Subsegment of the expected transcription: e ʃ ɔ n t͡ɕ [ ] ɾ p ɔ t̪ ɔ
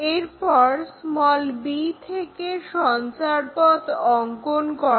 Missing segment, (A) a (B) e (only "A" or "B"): A